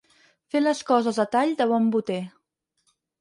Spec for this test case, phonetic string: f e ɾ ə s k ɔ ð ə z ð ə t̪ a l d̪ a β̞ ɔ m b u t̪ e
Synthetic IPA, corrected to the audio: f e l ə s k ɔ z ə z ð ə t̪ a ʎ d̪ ə β̞ ɔ m b u t̪ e

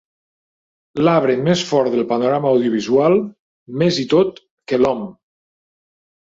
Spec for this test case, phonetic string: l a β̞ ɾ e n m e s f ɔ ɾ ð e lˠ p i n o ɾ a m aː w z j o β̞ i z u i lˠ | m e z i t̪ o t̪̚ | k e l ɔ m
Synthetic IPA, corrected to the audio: l a β̞ ɾ e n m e s f ɔ ɾ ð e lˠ p a n o ɾ a m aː w ð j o β̞ i z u a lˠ | m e z i t̪ o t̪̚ | k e l ɔ m

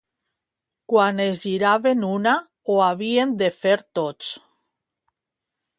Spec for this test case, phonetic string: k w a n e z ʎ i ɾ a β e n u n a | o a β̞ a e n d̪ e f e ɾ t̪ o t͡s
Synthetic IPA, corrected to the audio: k w a n e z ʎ i ɾ a β e n u n a | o a β̞ i e n d̪ e f e ɾ t̪ o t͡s

